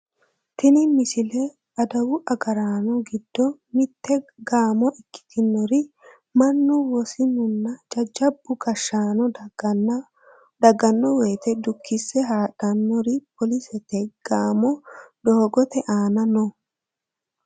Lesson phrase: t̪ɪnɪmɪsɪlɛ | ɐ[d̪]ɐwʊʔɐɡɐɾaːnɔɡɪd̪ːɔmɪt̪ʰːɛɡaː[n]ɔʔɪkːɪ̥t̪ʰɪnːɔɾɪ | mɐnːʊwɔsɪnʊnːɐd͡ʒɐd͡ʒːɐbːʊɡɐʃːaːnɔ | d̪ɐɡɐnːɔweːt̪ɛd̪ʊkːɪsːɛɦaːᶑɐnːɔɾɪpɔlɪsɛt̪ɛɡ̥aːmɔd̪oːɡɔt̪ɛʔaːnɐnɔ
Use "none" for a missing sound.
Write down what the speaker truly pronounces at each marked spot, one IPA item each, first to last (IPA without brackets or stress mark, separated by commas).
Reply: d̪, m